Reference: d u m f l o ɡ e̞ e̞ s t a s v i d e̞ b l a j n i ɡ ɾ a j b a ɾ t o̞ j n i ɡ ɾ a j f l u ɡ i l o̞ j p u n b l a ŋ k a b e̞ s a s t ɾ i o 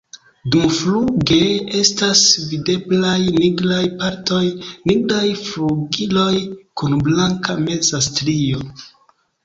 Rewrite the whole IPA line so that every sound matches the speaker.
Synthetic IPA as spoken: d u m f l u ɡ e̞ e̞ s t a s v i d e̞ b l a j n i ɡ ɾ a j p a ɾ t o̞ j n i ɡ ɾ a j f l u ɡ i l o̞ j k u n b l a ŋ k a m e̞ z a s t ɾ i o